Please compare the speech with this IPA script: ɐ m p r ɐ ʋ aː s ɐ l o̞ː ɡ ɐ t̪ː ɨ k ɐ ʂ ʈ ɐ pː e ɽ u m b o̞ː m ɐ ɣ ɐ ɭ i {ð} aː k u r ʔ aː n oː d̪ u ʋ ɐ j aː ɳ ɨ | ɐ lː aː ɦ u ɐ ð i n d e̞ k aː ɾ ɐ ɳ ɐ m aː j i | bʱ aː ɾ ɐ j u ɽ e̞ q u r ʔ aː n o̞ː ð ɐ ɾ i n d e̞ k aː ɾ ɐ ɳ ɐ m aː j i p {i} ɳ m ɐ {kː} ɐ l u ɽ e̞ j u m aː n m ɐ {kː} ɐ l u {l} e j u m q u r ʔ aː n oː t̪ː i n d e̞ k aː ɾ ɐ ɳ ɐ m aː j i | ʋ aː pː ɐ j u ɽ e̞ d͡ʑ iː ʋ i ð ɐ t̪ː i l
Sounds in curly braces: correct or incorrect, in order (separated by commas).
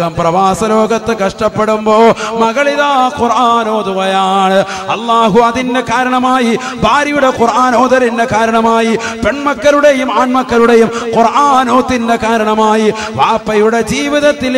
correct, incorrect, correct, correct, incorrect